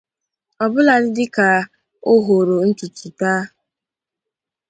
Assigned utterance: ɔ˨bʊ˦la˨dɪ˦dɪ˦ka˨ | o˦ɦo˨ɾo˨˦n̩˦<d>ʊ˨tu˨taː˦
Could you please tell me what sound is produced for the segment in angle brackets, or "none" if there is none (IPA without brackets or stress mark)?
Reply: t